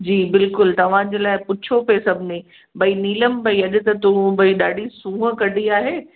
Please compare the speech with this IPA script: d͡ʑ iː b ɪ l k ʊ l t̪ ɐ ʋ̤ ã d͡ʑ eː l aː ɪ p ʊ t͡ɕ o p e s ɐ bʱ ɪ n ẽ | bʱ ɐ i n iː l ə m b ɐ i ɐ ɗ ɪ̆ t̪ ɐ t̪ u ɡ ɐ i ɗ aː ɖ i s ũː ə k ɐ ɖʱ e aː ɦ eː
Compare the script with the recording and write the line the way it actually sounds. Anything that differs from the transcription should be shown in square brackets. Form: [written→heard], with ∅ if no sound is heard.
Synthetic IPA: d͡ʑ iː b ɪ l k ʊ l t̪ ɐ ʋ̤ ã d͡ʑ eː l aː ɪ p ʊ [t͡ɕ→t͡ɕʰ] o p e s ɐ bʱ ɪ n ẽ | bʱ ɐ i n iː l ə m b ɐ i ɐ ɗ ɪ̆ t̪ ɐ t̪ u [ɡ→b] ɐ i ɗ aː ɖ i s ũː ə k ɐ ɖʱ [e→i] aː ɦ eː